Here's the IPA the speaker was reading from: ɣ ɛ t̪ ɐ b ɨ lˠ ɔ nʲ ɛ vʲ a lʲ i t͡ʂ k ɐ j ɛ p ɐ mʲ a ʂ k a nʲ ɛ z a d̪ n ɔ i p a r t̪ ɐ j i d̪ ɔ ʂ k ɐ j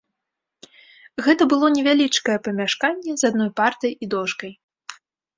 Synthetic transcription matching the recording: ɣ ɛ t̪ ɐ b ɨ lˠ ɔ nʲ ɛ vʲ a lʲ i t͡ʂ k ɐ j ɛ p ɐ mʲ a ʂ k a nʲː ɛ z a d̪ n ɔ j p a r t̪ ɐ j i d̪ ɔ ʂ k ɐ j